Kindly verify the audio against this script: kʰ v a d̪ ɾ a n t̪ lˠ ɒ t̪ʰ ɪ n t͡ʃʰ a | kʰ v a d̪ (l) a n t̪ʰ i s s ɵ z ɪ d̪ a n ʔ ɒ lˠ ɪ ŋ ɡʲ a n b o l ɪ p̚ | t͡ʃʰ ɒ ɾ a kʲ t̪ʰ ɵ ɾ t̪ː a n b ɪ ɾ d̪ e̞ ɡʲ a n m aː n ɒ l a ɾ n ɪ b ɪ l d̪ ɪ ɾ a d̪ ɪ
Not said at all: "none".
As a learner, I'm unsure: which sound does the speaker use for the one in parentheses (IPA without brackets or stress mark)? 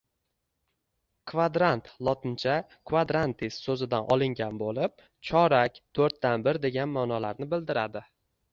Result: ɾ